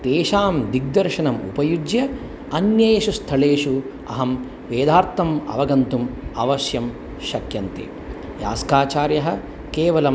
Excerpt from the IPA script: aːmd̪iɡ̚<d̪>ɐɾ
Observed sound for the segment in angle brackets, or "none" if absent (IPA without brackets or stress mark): d̪